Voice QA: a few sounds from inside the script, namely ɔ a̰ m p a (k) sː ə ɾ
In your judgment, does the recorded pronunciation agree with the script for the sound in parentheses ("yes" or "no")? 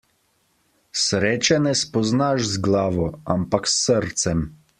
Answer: yes